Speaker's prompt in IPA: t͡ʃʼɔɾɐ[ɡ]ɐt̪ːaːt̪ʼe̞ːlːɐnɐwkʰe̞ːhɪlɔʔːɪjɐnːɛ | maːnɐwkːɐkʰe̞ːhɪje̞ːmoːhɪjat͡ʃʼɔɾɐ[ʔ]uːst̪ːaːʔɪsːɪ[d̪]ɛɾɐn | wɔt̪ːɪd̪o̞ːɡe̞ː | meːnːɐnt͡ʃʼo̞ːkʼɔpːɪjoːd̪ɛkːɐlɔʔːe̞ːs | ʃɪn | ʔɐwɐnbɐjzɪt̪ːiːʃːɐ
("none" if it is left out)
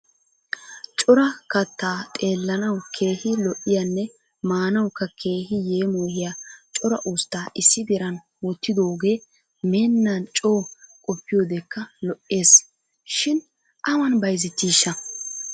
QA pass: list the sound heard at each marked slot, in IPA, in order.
k, ʔ, d̪

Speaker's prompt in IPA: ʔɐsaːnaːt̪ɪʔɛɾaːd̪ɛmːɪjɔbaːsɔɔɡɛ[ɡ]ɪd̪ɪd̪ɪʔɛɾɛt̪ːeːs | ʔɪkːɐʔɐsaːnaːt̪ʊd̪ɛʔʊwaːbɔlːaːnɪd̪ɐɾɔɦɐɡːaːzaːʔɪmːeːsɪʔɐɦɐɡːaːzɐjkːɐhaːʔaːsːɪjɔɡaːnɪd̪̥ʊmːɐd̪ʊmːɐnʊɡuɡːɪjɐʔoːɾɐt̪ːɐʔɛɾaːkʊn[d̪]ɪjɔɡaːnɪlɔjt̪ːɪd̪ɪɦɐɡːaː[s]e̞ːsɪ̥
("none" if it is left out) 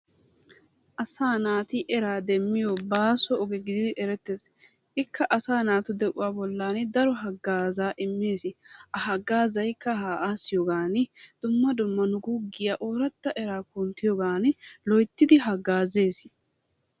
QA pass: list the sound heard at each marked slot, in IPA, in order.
ɡ, t̪, z

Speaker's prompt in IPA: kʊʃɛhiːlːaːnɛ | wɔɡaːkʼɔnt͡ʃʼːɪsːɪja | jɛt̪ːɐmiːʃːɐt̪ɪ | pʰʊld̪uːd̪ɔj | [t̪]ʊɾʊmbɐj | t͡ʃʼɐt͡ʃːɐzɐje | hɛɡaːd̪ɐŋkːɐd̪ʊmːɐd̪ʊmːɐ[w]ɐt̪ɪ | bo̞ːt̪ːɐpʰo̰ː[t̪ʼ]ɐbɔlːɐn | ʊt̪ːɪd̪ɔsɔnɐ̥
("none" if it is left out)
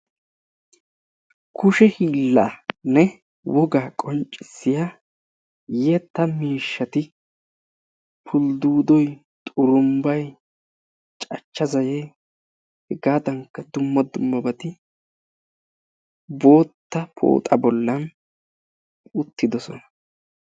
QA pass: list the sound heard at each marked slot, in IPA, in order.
t̪ʼ, b, t̪ʼ

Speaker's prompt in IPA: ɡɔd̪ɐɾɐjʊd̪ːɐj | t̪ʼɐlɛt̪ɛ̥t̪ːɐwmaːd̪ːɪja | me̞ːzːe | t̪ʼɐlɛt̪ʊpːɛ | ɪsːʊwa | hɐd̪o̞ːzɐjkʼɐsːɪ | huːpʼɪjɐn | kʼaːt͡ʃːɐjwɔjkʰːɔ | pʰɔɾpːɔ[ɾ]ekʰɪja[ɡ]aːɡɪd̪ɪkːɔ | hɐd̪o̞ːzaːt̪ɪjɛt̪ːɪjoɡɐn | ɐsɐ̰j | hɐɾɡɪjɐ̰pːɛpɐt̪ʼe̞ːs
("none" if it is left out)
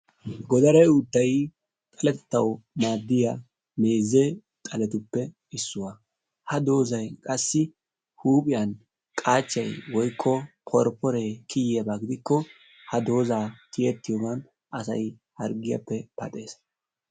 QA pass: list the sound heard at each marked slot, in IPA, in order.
ɾ, b

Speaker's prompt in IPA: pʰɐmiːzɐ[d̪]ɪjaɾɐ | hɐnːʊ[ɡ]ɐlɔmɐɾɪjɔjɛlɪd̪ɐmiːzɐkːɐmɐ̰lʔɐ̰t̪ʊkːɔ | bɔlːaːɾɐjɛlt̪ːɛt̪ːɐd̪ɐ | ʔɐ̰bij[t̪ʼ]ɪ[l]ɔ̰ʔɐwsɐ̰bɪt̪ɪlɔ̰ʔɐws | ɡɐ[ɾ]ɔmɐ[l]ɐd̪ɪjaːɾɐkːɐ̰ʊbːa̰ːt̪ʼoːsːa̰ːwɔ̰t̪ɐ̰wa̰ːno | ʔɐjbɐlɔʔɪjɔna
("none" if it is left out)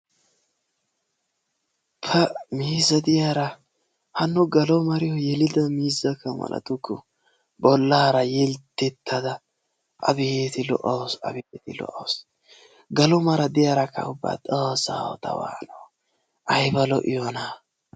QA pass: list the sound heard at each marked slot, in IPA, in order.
d̪, ɡ, t̪, l, l, ɾ

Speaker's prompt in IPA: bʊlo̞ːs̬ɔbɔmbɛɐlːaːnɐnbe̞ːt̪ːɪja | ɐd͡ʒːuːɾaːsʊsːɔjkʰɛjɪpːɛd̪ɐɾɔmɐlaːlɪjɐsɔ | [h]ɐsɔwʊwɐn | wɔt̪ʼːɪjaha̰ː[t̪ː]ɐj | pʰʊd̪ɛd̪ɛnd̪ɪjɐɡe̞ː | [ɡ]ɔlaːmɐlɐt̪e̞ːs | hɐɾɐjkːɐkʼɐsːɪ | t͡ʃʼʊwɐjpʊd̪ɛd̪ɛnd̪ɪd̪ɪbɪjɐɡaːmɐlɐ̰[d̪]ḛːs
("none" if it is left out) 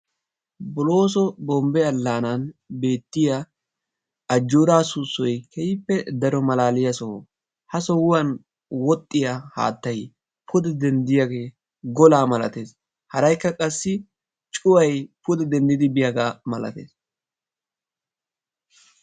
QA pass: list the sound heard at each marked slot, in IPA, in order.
h, t̪ː, ɡ, t̪

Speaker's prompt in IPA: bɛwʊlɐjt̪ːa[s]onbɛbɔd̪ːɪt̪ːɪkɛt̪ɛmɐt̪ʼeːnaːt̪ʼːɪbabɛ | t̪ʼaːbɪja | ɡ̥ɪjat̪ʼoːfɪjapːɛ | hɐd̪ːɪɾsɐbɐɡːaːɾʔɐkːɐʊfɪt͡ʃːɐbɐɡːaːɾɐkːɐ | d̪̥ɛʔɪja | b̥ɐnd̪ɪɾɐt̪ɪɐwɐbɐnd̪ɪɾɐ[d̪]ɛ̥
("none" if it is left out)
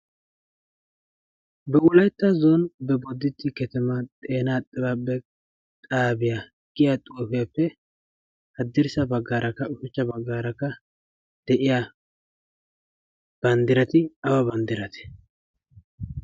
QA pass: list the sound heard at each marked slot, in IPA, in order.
z, t̪

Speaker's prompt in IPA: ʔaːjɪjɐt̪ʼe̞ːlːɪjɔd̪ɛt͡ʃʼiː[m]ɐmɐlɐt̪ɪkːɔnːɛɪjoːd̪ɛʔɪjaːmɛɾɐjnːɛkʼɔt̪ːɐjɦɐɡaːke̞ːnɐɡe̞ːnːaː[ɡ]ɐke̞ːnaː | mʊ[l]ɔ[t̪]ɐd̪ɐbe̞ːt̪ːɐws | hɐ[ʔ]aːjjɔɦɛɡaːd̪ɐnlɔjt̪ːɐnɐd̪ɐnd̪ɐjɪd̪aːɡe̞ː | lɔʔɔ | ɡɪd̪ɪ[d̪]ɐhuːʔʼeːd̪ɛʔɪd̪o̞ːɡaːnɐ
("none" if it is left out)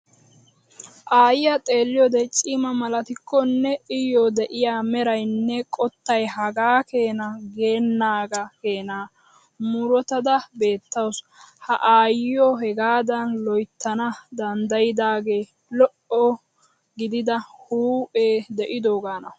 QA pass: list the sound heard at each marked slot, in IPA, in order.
m, ɡ, ɾ, t̪, ʔ, d̪

